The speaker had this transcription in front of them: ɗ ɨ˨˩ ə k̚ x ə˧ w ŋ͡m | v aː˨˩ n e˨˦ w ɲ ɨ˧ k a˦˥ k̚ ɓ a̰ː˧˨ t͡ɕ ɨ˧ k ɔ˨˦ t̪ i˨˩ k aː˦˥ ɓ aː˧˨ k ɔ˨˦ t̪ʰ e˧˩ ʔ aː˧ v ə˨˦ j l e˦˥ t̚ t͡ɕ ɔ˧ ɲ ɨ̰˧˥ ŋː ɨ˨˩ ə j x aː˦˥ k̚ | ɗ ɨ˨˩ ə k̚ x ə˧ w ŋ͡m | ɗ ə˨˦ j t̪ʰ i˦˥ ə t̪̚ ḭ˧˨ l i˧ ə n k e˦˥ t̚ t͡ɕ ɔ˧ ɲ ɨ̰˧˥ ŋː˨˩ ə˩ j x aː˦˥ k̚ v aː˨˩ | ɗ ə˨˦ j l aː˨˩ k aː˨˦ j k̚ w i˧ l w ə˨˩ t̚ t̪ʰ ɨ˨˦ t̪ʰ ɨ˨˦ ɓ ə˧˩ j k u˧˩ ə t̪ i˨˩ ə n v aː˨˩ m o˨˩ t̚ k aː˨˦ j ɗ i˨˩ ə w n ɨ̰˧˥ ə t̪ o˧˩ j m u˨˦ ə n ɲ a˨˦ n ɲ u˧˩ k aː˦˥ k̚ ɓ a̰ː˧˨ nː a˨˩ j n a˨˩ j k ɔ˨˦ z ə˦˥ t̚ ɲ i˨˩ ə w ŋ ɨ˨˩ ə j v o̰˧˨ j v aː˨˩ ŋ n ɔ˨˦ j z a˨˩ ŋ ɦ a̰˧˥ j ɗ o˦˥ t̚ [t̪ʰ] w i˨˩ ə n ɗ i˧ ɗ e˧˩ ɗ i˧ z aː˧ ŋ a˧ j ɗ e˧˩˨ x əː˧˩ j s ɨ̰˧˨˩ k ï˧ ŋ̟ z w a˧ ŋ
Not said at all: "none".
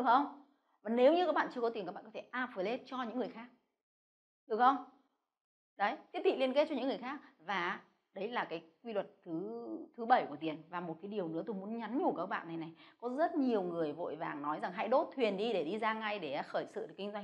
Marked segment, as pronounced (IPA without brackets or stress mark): t̪ʰ